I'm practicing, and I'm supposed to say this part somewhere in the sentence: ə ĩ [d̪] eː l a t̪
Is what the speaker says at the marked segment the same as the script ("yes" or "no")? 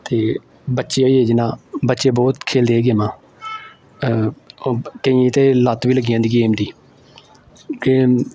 no